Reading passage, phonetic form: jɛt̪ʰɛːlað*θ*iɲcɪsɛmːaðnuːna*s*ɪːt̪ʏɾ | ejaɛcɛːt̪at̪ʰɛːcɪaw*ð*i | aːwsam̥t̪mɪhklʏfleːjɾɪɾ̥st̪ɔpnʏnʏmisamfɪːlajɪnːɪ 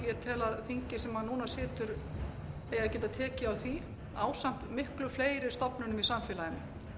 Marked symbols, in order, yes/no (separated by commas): yes, yes, no